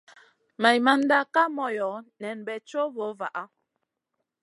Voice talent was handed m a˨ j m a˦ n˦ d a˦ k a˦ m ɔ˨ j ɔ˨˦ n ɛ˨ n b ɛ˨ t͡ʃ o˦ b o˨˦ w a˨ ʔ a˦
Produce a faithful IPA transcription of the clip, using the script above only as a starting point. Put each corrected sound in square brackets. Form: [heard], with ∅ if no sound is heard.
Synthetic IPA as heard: m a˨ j m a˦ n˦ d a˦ k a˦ m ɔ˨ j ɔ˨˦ n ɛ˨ n b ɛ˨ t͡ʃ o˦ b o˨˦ [v] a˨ ʔ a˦